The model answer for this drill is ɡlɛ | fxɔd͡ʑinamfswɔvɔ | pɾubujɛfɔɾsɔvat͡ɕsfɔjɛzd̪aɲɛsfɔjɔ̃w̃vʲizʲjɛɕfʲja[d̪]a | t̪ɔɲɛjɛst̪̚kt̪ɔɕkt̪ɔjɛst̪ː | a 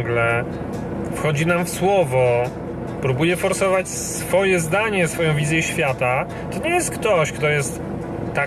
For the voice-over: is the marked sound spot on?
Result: no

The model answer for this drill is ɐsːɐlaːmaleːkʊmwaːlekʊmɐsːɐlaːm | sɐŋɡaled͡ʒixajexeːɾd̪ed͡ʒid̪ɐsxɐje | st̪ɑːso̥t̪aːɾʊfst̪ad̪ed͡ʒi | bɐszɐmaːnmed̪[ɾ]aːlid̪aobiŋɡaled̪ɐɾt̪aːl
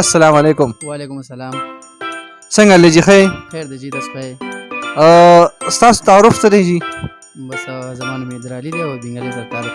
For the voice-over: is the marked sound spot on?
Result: yes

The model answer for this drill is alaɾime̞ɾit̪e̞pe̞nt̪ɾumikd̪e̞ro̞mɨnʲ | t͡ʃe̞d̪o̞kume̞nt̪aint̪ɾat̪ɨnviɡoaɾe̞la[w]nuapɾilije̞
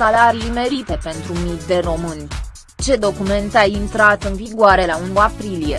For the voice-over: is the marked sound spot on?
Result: no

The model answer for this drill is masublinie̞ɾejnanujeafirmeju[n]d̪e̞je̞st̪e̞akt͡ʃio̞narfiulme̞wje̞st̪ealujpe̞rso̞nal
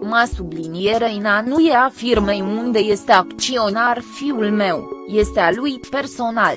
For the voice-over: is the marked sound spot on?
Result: yes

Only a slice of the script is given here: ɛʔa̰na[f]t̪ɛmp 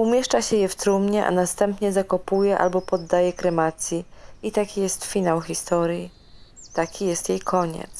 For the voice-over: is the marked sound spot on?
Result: no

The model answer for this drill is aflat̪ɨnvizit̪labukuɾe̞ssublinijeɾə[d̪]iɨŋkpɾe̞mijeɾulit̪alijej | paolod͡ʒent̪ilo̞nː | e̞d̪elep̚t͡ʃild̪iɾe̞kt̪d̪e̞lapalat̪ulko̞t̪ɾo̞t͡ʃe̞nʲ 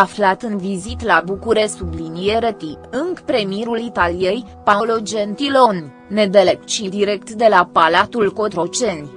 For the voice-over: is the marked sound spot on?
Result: no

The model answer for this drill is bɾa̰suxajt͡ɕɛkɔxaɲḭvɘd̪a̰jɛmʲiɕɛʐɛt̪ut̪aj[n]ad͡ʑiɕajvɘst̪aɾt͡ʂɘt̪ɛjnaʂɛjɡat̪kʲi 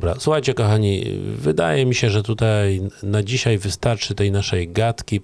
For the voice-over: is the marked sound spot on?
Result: yes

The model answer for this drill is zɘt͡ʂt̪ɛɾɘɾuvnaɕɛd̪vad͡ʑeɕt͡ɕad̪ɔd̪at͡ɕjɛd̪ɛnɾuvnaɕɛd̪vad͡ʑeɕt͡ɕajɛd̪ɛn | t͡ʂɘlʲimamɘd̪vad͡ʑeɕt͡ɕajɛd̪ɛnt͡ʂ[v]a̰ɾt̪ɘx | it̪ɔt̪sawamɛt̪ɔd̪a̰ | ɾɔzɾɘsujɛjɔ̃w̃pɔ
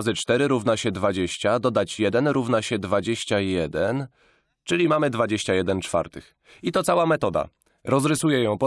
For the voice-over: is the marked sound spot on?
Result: no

